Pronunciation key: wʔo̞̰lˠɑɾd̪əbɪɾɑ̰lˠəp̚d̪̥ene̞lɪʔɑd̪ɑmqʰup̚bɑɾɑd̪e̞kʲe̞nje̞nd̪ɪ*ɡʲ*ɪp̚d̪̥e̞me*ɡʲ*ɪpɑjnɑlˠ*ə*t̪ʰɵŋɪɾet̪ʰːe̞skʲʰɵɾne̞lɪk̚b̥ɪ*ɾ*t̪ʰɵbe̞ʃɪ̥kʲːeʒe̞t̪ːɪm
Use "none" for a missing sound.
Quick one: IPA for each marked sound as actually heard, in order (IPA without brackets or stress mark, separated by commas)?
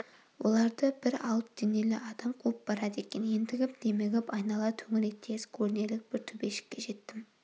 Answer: ɡʲ, ɡʲ, ɑ, ɾ